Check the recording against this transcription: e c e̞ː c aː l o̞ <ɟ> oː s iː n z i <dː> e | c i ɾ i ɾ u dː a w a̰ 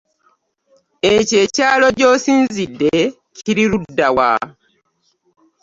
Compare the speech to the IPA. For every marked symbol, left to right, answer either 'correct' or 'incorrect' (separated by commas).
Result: correct, correct